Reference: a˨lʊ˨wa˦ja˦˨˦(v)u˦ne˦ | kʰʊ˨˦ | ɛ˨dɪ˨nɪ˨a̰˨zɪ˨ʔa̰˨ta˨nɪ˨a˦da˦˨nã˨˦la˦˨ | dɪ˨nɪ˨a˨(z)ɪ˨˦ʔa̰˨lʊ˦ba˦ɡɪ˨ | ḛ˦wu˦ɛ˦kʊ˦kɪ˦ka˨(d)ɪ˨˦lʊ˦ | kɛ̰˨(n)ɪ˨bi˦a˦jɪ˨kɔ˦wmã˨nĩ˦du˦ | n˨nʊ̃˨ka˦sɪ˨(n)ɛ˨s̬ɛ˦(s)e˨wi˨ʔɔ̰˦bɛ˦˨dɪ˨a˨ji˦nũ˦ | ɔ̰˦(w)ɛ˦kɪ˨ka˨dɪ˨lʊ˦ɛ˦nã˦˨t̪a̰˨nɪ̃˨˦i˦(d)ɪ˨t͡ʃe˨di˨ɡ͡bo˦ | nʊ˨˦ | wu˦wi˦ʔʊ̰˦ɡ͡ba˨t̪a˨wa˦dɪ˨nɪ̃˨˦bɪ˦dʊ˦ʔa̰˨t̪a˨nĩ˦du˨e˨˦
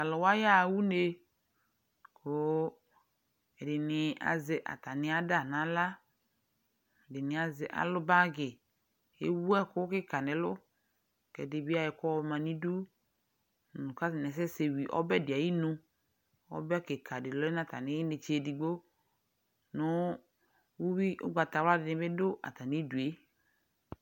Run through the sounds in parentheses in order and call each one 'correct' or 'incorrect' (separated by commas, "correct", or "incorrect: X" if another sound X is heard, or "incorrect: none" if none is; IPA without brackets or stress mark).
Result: incorrect: w, correct, incorrect: n, incorrect: d, correct, correct, incorrect: b, incorrect: n